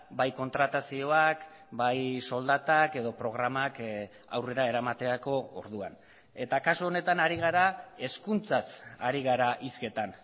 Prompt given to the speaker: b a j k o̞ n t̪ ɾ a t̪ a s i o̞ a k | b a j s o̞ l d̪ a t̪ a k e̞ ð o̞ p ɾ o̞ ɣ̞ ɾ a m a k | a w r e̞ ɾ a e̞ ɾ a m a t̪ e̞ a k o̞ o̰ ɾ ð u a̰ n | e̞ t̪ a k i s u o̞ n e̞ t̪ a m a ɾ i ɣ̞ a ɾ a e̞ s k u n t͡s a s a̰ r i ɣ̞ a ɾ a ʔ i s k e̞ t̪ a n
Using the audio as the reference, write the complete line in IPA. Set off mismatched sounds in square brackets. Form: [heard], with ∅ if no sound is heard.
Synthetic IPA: b a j k o̞ n t̪ ɾ a t̪ a s i o̞ a k | b a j s o̞ l d̪ a t̪ a k e̞ ð o̞ p ɾ o̞ ɣ̞ ɾ a m a k | a w r e̞ ɾ a e̞ ɾ a m a t̪ e̞ a k o̞ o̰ ɾ ð u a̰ n | e̞ t̪ a k [a] s u o̞ n e̞ t̪ a [n] a ɾ i ɣ̞ a ɾ a e̞ s k u n t͡s a s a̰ [ɾ] i ɣ̞ a ɾ a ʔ i s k e̞ t̪ a n